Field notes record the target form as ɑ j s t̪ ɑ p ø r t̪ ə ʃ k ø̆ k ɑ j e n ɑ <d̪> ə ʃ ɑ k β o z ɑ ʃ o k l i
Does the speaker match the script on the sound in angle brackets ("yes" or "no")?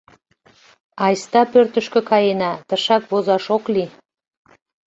no